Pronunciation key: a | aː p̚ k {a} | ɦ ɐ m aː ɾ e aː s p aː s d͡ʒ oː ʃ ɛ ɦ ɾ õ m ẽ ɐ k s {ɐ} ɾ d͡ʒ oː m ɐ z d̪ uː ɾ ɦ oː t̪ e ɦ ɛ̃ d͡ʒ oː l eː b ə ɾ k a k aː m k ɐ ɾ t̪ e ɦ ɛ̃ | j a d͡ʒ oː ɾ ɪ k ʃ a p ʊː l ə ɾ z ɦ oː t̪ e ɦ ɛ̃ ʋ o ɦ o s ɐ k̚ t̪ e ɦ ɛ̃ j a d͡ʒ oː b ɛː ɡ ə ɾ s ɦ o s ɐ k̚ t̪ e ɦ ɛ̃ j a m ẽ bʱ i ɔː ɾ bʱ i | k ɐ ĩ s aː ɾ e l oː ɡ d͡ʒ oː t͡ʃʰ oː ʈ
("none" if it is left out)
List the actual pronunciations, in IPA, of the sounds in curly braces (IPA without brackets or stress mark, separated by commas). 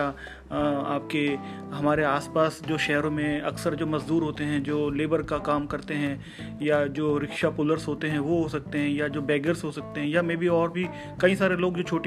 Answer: e, ə